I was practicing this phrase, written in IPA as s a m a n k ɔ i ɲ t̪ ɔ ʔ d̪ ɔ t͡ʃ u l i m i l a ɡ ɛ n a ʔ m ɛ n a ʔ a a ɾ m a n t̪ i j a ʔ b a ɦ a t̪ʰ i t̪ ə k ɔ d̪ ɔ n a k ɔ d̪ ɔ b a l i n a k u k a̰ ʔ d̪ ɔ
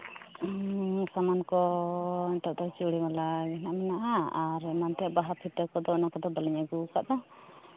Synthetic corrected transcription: s a m a n k ɔ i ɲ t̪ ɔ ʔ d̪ ɔ t͡ʃ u ɽ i m a l a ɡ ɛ n a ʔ m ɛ n a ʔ a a ɾ m a n t̪ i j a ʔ b a ɦ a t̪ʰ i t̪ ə k ɔ d̪ ɔ n a k ɔ d̪ ɔ b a l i ɲ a ɡ u k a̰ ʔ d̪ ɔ